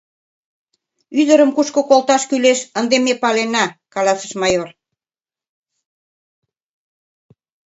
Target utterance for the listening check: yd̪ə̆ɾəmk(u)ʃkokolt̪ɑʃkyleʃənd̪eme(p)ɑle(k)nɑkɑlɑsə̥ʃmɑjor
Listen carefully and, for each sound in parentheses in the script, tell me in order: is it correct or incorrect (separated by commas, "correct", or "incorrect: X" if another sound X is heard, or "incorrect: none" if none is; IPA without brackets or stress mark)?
correct, correct, incorrect: none